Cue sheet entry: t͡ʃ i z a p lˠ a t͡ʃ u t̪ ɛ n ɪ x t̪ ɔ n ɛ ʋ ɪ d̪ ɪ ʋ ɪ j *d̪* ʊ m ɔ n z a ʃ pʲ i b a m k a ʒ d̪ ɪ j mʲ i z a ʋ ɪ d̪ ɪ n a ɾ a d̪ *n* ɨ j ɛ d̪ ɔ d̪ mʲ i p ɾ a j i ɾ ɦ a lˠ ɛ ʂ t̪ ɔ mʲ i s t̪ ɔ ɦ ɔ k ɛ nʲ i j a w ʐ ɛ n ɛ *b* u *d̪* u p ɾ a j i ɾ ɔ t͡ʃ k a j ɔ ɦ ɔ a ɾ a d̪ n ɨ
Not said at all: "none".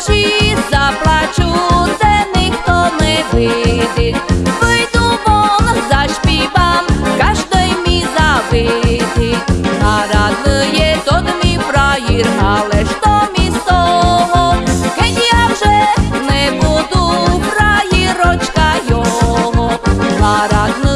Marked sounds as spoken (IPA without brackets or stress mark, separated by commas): d̪, n, b, d̪